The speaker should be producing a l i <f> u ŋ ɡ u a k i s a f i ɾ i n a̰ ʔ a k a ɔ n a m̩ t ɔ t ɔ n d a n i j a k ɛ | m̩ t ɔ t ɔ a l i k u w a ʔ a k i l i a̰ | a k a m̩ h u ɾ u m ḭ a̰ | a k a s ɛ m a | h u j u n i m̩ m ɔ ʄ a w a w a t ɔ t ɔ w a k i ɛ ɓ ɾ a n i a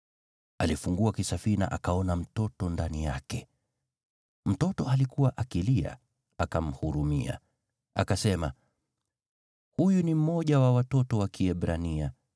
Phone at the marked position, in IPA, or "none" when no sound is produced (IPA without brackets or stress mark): f